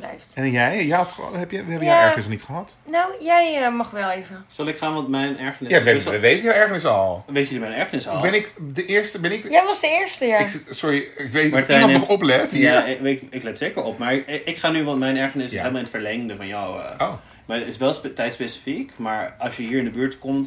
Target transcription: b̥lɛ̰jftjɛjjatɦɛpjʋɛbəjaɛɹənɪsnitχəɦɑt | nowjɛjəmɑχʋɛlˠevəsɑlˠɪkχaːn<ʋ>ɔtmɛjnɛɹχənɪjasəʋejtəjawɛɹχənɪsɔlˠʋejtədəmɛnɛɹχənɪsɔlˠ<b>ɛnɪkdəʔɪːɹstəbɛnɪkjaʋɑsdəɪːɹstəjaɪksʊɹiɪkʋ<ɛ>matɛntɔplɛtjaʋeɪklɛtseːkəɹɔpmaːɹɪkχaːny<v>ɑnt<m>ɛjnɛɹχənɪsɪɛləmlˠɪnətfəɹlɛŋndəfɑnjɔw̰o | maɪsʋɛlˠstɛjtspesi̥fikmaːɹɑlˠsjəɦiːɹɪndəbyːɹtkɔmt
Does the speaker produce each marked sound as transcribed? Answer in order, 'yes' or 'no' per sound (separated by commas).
yes, yes, no, no, yes